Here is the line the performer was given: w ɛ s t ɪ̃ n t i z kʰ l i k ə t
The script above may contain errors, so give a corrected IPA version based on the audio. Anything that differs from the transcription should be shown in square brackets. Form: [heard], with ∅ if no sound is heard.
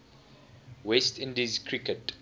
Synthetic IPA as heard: w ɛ s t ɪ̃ n [d] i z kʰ [ɹ] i k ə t